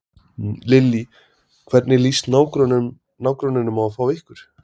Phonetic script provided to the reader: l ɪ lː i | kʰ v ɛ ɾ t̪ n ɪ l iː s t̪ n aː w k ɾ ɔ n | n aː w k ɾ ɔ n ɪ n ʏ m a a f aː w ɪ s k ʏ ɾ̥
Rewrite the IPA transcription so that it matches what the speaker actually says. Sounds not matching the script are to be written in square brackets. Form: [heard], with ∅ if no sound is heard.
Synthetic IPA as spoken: l ɪ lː i | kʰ v ɛ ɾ t̪ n ɪ l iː s t̪ n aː w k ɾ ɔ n | n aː w k ɾ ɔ n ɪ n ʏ m a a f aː w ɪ [h] k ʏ ɾ̥